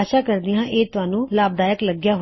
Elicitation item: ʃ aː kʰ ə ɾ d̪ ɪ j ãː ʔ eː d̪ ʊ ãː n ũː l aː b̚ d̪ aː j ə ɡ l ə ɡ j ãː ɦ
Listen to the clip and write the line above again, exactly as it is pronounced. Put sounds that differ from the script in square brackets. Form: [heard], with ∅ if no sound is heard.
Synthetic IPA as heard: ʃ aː [k] ə ɾ d̪ ɪ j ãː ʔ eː [t̪] ʊ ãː n ũː l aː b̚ d̪ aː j ə [k] l ə ɡ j [aː] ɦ